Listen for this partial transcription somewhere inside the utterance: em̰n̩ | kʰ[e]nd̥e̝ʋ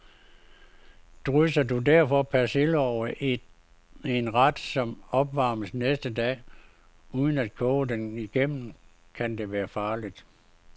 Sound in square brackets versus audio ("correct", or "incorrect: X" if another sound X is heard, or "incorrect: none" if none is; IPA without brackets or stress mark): incorrect: æ